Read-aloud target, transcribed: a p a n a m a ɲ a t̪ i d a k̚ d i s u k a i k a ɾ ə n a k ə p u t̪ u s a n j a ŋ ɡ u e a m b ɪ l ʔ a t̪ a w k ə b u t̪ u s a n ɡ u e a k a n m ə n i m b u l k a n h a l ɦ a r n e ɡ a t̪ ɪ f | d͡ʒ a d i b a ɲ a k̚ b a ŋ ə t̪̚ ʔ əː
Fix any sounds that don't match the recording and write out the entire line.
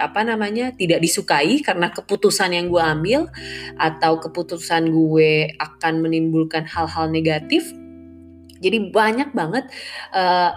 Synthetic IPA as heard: a p a n a m a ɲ a t̪ i d a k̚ d i s u k a i k a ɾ ə n a k ə p u t̪ u s a n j a ŋ ɡ u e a m b ɪ l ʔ a t̪ a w k ə p u t̪ u s a n ɡ u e a k a n m ə n i m b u l k a n h a l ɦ a l n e ɡ a t̪ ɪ f | d͡ʒ a d i b a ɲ a k̚ b a ŋ ə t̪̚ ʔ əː